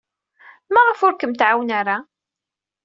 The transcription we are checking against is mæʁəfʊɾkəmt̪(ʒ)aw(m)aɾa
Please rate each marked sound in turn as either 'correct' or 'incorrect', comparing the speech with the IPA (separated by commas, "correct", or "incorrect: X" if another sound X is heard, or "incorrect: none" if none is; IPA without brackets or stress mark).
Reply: incorrect: ʕ, incorrect: n